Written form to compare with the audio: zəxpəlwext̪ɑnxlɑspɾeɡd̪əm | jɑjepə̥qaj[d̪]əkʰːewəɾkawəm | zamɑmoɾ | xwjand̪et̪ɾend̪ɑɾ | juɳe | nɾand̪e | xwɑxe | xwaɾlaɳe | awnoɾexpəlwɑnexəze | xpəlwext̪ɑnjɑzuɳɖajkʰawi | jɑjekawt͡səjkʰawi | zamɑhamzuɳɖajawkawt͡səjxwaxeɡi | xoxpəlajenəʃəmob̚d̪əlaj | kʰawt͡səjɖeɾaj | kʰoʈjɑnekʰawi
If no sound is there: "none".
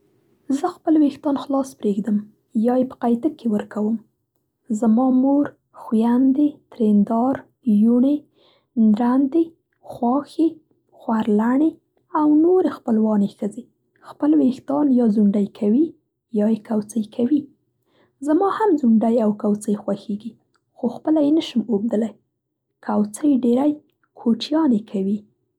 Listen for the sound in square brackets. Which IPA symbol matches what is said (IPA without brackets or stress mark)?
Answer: t̪